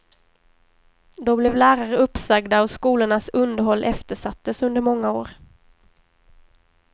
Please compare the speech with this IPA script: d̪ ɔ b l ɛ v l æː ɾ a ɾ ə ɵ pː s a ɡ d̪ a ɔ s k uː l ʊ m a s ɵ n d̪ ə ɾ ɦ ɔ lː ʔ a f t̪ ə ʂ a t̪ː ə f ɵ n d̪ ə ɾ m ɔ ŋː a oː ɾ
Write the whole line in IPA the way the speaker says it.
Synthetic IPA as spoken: d̪ ɔ b l ɛ v l æː ɾ a ɾ ə ɵ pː s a ɡ d̪ a ɔ s k uː l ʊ ɳ a s ɵ n d̪ ə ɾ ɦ ɔ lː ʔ ɛ f t̪ ə ʂ a t̪ː ə s ɵ n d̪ ə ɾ m ɔ ŋː a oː ɾ